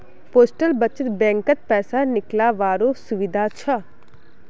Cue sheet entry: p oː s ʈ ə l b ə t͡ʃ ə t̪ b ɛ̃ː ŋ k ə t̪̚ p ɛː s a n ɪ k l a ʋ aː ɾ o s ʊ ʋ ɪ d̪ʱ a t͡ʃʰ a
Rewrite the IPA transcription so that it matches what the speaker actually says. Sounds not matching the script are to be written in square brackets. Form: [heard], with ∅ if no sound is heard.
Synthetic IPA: p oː s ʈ ə l b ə t͡ʃ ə t̪ b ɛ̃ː ŋ k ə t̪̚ p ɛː s a n ɪ k l a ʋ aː ɾ o s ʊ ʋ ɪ d̪ʱ a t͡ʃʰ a